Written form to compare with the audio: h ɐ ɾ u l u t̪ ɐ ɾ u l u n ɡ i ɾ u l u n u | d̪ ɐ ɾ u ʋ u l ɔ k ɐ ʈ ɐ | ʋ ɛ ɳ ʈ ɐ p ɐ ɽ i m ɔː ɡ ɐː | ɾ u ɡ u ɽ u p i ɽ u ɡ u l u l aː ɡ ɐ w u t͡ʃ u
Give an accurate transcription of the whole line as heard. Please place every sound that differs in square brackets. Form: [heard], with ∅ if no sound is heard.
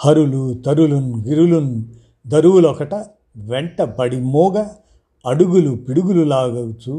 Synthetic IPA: h ɐ ɾ u l u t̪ ɐ ɾ u l u n ɡ i ɾ u l u n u | d̪ ɐ ɾ u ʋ u l ɔ k ɐ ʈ ɐ | ʋ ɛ ɳ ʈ ɐ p ɐ ɽ i m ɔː ɡ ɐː | [ɽ] u ɡ u [l] u p i ɽ u ɡ u l u l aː ɡ ɐ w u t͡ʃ u